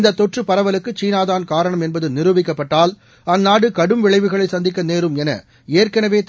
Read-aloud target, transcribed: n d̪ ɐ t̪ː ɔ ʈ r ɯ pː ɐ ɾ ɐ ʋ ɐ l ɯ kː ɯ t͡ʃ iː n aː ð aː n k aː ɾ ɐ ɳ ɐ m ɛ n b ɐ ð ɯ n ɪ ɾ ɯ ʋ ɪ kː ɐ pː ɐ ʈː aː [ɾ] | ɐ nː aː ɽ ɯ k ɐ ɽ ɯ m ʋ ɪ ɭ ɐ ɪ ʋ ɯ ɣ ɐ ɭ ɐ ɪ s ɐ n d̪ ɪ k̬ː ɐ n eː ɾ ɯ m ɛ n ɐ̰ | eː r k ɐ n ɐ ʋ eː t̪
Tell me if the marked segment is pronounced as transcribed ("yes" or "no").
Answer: no